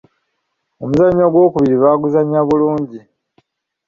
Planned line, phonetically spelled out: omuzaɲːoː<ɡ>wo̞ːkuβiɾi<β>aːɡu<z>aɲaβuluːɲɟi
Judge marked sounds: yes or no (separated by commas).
yes, yes, yes